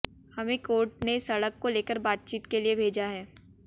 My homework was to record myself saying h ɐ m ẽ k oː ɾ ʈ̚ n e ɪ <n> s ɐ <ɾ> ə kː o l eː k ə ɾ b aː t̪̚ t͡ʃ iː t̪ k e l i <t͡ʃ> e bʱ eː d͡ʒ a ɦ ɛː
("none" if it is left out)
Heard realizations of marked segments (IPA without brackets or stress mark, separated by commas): none, ɽ, none